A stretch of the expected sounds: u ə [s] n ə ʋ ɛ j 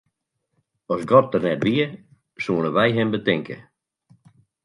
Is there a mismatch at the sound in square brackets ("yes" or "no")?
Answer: yes